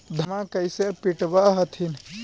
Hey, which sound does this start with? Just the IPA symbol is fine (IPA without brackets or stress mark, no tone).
d̪ʱ